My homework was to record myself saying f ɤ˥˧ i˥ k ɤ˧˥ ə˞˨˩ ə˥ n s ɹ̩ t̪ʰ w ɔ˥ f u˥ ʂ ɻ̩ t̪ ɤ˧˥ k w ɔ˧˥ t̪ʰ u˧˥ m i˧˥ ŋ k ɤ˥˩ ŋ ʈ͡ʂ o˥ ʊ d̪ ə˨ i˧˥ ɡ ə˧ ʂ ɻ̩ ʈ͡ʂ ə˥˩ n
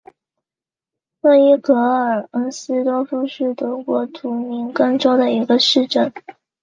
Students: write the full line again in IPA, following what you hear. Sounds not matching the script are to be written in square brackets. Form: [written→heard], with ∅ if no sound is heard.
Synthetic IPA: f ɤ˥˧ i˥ k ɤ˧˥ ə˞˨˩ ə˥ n s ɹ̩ [t̪ʰ→t̪] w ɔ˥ f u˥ ʂ ɻ̩ t̪ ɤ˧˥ k w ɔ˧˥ t̪ʰ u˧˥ m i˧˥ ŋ k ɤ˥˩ ŋ ʈ͡ʂ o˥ ʊ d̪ ə˨ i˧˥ ɡ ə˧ ʂ ɻ̩ ʈ͡ʂ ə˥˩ n